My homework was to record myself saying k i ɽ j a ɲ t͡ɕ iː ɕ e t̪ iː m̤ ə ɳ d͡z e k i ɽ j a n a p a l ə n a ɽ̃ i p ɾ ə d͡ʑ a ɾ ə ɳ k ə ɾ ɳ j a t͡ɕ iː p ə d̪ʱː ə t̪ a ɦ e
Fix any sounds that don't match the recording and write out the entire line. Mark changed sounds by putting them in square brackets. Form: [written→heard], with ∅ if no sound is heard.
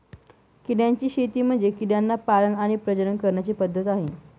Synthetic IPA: k i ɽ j a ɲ t͡ɕ iː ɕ e t̪ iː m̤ ə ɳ d͡z e k i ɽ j a [n→nː] a p a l ə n a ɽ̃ i p ɾ ə d͡ʑ [a→ə] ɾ ə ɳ k ə ɾ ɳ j a t͡ɕ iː p ə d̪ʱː ə t̪ a ɦ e